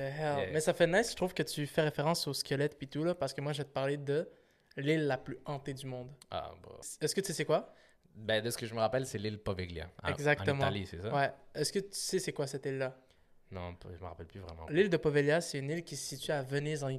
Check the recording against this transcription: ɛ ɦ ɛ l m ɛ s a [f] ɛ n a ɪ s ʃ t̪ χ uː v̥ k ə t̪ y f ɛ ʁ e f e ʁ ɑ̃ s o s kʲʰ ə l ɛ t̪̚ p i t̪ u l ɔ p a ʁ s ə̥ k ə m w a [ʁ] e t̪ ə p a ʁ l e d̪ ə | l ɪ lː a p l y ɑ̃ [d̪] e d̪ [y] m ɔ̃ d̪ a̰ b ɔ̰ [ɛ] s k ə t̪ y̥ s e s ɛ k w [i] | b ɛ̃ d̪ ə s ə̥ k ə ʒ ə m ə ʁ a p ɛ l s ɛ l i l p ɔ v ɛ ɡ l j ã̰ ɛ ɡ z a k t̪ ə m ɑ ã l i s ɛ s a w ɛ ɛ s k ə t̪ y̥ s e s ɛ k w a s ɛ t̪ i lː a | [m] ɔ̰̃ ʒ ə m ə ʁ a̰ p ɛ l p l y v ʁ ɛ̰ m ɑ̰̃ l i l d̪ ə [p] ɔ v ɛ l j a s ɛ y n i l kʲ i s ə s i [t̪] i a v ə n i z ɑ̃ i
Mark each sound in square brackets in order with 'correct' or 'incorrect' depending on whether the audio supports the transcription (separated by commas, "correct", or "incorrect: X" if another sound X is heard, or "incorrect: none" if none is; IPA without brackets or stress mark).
correct, incorrect: ʒ, incorrect: t̪, correct, correct, incorrect: a, incorrect: n, correct, correct